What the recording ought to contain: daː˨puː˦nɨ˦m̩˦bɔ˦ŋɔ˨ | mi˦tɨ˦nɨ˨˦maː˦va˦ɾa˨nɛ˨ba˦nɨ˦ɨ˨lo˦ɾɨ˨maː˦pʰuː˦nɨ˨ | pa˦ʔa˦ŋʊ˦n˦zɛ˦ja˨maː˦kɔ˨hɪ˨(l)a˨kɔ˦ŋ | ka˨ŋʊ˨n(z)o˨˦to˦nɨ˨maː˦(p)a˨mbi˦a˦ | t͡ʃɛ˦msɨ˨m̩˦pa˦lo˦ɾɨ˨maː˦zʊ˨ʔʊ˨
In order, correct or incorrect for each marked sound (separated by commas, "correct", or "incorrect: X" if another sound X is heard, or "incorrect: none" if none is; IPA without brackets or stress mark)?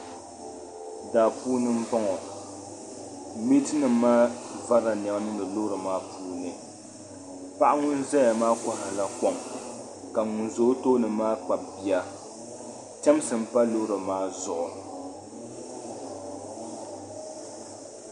correct, correct, incorrect: k͡p